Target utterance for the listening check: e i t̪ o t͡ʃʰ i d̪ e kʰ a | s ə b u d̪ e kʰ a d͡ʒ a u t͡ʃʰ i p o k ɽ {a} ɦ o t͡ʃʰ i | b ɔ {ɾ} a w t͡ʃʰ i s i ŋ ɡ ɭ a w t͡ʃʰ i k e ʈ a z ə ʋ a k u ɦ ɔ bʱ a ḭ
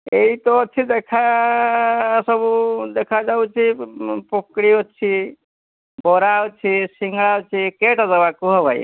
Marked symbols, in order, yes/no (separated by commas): no, yes